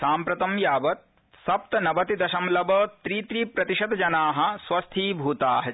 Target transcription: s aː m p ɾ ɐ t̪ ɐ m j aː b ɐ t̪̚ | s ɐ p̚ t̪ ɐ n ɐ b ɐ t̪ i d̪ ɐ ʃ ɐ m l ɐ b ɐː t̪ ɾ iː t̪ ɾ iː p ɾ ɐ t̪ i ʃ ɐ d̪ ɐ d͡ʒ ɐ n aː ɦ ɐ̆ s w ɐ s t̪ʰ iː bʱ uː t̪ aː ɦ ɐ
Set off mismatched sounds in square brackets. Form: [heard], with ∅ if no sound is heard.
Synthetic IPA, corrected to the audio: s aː m p ɾ ɐ t̪ ɐ m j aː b ɐ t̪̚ | s ɐ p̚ t̪ ɐ n ɐ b ɐ t̪ i d̪ ɐ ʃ ɐ m l ɐ b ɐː t̪ ɾ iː t̪ ɾ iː p ɾ ɐ t̪ i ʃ ɐ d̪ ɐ d͡ʒ ɐ n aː ɦ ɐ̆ s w ɐ s t̪ʰ iː bʱ uː t̪ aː ɦ ɐ